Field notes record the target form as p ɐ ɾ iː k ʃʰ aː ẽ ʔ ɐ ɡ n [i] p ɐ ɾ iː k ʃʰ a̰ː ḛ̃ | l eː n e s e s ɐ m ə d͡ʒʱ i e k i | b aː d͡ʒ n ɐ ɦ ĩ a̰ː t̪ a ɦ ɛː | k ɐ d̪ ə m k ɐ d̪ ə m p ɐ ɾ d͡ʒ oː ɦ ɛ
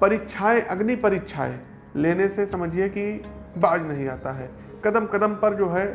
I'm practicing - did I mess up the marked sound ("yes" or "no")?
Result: no